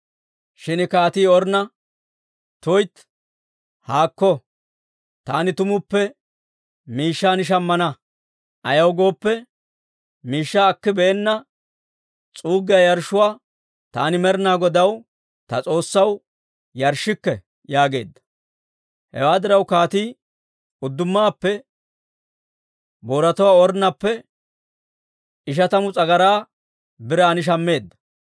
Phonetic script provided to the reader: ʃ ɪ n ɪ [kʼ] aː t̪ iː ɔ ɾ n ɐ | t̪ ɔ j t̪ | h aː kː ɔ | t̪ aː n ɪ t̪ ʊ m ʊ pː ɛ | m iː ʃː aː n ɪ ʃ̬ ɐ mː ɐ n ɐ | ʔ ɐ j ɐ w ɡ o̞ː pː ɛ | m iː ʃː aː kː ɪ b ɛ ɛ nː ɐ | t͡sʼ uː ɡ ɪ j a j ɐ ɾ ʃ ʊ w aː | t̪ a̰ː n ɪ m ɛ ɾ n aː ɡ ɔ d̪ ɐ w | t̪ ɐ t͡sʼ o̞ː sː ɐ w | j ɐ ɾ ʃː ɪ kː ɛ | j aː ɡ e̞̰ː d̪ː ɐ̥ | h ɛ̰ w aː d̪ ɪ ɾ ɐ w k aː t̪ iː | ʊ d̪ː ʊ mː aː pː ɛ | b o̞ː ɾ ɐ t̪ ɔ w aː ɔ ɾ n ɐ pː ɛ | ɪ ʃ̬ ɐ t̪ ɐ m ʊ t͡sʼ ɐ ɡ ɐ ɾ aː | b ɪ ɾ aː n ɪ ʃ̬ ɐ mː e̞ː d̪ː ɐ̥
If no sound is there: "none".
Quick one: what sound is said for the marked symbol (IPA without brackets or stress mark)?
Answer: k